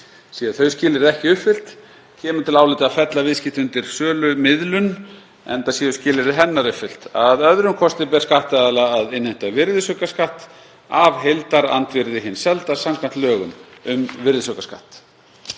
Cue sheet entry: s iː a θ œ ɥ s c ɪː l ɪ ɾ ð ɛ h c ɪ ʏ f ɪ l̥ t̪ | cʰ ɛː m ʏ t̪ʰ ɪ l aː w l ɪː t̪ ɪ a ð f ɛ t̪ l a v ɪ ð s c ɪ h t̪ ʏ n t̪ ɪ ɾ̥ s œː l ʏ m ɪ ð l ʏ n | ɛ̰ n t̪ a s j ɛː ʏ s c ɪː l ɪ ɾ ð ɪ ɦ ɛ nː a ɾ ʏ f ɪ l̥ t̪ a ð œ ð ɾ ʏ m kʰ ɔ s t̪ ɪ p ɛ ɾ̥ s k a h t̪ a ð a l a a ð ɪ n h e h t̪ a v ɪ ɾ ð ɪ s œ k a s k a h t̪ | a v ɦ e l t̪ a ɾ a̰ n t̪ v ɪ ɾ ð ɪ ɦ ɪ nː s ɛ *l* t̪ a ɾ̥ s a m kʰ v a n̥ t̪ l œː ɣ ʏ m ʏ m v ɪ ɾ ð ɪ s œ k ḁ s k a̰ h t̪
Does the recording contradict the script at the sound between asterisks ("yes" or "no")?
no